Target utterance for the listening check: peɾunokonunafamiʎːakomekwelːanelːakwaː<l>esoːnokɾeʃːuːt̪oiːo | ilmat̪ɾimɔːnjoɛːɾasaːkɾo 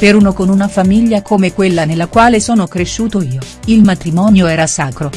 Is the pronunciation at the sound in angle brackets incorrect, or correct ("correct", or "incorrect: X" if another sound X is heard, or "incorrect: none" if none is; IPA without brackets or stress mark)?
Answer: correct